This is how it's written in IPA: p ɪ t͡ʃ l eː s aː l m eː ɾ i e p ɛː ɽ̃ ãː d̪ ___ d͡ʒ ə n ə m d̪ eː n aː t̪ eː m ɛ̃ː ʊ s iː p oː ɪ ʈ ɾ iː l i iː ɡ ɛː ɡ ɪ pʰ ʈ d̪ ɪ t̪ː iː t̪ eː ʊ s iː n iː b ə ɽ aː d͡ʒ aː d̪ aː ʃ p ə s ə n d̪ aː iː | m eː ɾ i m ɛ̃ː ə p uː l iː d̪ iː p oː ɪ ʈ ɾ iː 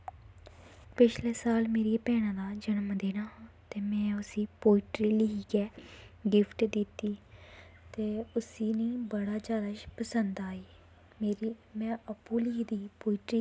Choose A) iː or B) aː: B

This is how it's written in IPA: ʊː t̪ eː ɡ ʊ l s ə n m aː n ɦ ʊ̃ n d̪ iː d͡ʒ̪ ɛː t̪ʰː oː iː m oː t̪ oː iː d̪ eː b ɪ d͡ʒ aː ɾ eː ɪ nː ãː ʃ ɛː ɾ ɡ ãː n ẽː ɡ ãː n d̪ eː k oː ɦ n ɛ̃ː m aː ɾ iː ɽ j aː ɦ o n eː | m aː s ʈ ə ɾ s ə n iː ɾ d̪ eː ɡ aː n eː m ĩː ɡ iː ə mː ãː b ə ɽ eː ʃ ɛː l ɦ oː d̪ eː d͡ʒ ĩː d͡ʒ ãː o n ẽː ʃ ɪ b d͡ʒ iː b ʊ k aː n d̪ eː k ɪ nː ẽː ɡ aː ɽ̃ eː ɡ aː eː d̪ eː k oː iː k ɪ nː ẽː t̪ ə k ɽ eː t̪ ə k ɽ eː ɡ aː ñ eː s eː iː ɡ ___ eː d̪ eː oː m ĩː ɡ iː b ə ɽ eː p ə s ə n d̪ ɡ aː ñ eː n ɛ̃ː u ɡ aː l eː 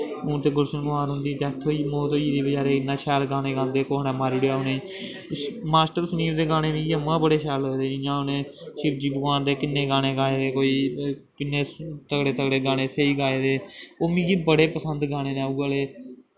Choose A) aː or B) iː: A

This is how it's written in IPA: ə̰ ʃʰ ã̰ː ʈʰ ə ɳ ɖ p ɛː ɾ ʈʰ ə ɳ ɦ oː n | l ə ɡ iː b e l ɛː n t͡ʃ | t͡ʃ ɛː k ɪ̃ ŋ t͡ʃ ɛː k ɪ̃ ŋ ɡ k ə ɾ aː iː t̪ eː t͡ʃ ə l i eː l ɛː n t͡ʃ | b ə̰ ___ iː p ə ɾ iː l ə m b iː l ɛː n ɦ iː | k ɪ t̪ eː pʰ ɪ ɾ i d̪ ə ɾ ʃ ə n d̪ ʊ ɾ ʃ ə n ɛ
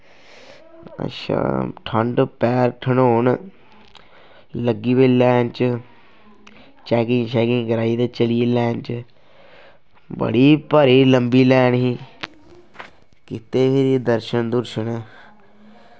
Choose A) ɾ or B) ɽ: B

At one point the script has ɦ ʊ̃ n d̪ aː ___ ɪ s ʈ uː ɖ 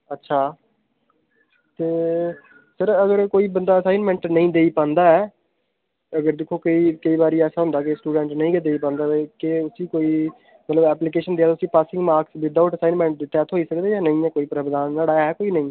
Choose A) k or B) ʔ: A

